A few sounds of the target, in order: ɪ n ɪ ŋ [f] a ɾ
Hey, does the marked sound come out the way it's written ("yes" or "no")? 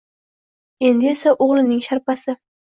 no